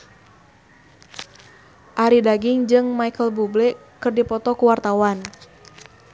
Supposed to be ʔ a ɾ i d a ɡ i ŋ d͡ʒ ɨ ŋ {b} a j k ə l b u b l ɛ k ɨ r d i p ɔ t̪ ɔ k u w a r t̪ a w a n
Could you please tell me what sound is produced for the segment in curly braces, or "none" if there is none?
m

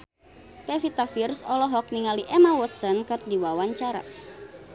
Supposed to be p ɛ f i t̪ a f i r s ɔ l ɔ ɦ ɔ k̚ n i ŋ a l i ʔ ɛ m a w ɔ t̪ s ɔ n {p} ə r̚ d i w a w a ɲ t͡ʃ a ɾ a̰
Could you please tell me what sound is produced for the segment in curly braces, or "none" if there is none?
k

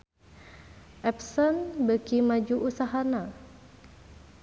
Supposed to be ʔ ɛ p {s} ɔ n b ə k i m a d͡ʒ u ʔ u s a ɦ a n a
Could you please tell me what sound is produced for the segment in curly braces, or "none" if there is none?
s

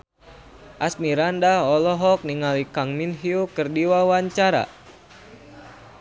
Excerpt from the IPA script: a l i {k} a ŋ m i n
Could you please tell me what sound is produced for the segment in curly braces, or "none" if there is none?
k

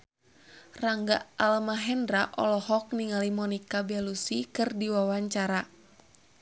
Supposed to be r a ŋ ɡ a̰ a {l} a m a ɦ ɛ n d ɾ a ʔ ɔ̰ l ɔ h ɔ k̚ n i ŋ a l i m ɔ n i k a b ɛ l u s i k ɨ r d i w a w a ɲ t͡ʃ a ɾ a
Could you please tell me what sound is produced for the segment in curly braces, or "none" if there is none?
l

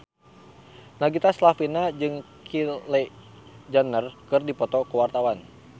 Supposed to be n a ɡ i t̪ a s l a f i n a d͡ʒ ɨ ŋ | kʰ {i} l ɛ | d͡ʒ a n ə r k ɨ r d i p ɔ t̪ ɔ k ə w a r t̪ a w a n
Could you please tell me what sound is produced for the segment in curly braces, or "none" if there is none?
i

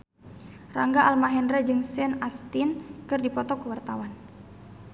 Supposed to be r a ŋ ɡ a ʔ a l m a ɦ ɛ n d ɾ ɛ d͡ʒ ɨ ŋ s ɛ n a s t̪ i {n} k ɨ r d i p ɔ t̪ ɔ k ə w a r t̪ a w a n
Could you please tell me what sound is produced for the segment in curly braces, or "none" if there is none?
n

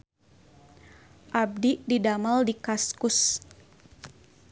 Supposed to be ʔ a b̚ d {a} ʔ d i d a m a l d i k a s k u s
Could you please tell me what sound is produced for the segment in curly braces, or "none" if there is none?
i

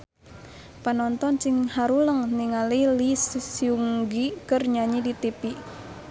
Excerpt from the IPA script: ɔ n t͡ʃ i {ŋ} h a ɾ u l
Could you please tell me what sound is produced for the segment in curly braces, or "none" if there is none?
ŋ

